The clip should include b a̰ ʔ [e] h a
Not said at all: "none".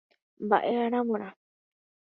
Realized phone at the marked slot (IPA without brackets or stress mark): e